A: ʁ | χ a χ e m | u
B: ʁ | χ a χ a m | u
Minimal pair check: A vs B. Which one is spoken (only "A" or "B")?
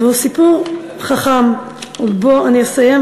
B